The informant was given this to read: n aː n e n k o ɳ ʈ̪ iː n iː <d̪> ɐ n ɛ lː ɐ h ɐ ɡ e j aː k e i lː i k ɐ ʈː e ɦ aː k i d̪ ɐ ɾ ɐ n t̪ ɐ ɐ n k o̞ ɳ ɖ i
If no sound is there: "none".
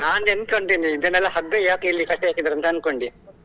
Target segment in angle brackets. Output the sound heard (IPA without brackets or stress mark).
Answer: d̪